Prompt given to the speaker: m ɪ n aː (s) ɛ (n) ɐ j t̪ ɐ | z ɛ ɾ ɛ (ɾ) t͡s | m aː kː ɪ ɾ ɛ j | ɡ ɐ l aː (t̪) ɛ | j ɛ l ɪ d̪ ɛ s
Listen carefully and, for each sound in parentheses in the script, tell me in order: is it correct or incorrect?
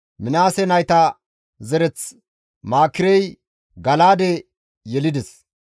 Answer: correct, correct, incorrect, incorrect

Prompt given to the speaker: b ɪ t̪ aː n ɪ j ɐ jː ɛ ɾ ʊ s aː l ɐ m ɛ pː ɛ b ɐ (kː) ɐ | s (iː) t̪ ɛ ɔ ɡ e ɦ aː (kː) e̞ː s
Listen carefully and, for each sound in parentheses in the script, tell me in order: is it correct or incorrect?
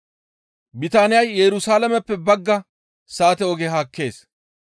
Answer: incorrect, incorrect, correct

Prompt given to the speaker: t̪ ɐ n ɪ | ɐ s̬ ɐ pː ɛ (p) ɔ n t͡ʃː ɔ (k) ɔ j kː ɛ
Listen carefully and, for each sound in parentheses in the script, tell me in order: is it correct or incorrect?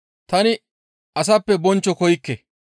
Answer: incorrect, correct

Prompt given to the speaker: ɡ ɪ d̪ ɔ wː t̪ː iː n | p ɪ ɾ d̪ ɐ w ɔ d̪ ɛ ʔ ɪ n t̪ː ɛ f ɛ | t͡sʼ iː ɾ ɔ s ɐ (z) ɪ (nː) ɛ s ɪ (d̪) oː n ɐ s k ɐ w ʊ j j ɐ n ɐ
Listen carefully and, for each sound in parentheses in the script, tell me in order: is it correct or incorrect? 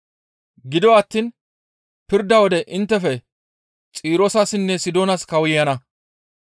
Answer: incorrect, correct, correct

